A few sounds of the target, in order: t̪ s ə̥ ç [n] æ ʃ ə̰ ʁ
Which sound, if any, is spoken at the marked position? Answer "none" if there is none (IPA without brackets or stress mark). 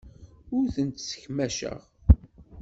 m